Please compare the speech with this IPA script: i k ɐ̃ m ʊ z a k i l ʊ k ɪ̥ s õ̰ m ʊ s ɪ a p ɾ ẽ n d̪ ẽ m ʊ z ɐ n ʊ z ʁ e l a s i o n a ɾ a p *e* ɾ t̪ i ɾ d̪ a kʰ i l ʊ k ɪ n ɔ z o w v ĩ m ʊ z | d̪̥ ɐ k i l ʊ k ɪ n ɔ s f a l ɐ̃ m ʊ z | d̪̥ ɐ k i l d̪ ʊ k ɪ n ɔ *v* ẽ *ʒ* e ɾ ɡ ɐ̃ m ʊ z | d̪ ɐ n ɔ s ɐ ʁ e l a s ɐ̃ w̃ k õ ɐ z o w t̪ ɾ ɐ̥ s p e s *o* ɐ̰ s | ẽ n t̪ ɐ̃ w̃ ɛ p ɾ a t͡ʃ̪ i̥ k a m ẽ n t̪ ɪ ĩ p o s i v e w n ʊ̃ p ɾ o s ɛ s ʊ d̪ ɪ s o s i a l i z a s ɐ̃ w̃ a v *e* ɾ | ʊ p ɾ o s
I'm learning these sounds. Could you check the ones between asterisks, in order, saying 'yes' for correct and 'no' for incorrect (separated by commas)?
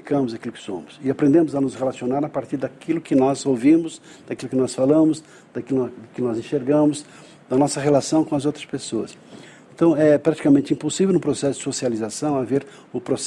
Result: no, no, no, yes, yes